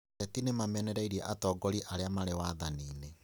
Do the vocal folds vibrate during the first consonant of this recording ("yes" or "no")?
no